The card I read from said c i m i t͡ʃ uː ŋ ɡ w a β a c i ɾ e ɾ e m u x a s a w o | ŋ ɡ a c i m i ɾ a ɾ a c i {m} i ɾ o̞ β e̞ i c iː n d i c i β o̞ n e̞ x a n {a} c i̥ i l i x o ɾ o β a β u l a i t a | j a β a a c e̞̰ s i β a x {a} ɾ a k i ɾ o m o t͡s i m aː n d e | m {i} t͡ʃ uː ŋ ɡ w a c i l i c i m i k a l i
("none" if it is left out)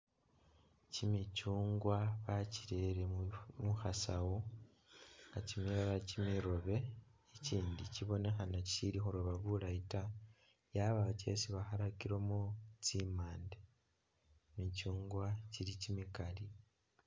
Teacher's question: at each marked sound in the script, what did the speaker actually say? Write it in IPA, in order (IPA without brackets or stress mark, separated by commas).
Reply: m, a, a, i